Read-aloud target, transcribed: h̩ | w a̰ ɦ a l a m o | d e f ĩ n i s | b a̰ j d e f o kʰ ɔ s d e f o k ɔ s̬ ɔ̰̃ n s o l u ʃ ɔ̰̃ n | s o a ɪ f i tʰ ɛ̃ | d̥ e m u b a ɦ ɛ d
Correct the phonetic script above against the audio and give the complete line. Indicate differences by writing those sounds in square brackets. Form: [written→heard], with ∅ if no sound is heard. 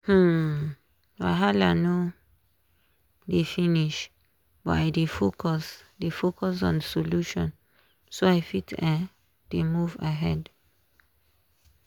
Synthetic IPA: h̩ | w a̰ ɦ a l a [m→n] o | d e f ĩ n i [s→ʃ] | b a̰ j d e f o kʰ ɔ s d e f o k ɔ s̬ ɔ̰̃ n s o l u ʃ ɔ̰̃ n | s o a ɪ f i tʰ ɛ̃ | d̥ e m u [b→v] a ɦ ɛ d